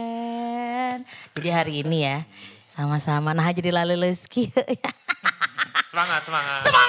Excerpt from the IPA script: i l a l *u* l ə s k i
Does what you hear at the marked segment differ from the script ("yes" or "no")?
no